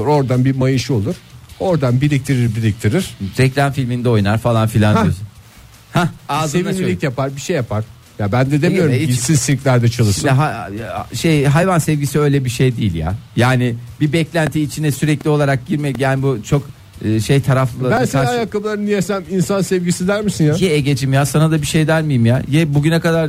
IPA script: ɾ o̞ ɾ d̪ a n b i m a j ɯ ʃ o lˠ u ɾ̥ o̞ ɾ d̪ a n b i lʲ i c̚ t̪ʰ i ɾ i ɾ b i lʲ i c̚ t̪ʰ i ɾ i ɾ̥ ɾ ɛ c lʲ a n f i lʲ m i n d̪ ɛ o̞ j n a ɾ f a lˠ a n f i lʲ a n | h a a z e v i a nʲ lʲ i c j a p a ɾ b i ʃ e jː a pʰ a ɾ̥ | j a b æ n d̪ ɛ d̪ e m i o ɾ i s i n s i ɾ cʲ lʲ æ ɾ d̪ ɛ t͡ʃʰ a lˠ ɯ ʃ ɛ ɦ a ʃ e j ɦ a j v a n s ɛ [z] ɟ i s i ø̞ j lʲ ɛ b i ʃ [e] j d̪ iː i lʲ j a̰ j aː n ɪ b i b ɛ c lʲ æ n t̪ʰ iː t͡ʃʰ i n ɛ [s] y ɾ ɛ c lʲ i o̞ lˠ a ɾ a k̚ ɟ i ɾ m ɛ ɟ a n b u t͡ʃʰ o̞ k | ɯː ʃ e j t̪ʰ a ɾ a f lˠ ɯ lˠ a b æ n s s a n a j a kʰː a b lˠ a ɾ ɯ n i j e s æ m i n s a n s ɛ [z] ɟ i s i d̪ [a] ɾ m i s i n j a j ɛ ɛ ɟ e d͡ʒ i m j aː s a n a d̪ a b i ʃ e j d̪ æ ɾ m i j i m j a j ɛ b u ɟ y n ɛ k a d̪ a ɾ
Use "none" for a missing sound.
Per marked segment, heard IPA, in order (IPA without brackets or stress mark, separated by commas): v, e, s, v, æ